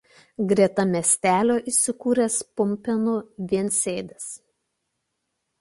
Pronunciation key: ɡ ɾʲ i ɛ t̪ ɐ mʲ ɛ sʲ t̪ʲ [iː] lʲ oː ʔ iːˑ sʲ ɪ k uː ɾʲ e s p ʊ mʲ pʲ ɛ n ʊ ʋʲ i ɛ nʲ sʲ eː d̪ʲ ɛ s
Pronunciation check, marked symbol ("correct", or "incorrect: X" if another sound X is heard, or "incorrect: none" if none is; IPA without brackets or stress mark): incorrect: æː